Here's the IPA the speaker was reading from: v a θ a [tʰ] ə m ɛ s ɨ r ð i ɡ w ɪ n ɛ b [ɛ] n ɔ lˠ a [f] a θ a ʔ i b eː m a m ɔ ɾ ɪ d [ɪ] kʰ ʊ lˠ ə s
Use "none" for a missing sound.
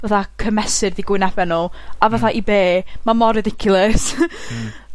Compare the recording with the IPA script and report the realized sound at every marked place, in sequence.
kʰ, ɛ, v, ɪ

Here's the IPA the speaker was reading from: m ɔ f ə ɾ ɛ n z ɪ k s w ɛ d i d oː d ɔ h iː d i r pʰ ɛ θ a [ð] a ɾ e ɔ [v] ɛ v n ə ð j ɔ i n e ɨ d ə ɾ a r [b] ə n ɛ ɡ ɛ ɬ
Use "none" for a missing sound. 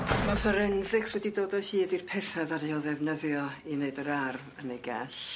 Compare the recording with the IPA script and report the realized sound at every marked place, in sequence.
ð, ð, v

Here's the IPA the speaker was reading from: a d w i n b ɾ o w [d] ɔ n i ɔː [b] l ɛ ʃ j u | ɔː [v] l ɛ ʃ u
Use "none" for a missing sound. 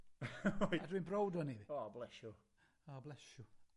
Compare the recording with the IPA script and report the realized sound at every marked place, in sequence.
d, b, b

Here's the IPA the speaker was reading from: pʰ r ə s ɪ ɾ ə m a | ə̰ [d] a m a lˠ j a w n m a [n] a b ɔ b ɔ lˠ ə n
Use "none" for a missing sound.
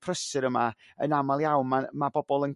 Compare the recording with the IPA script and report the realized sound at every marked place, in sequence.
n, m

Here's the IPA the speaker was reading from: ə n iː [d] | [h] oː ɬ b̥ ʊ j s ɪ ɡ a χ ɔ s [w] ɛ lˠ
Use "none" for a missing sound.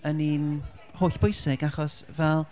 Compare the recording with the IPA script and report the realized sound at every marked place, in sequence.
n, h, v

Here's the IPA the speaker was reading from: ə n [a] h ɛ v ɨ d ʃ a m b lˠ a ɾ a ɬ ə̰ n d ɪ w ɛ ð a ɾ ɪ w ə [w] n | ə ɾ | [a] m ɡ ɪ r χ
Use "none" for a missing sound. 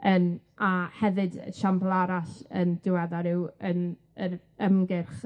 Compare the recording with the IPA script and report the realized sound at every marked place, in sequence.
a, none, ə

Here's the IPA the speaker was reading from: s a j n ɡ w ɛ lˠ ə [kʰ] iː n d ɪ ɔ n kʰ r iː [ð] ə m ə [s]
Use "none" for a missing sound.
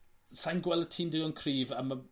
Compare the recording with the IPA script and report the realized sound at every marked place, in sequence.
tʰ, v, none

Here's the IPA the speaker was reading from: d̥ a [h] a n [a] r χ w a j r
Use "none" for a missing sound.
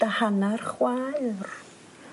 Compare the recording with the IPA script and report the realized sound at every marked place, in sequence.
h, a

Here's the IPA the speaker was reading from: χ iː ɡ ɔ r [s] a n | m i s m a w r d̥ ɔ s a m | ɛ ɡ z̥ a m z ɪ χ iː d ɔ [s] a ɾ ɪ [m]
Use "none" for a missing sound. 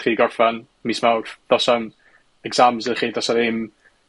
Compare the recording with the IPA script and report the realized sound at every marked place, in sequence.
f, s, m

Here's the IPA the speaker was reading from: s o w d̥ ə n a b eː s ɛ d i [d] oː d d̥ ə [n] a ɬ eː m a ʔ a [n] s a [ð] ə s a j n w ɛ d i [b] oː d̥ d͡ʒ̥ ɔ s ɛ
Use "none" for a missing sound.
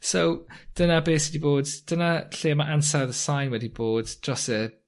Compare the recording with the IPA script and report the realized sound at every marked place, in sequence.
b, n, n, ð, b

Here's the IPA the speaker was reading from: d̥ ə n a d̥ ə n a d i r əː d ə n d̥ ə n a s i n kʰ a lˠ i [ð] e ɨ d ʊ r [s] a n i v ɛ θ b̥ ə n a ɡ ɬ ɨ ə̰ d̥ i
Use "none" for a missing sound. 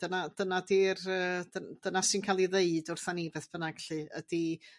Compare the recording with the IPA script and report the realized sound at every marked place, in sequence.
ð, θ

